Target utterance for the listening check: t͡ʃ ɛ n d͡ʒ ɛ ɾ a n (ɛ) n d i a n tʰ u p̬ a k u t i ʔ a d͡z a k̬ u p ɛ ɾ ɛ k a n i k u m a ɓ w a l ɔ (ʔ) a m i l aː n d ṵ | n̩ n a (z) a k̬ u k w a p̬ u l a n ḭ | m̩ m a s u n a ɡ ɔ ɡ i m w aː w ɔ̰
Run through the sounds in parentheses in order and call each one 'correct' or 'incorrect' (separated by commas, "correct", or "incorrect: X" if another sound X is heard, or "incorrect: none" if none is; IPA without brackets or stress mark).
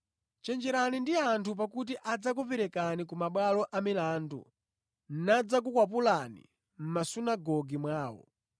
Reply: incorrect: i, correct, incorrect: d͡z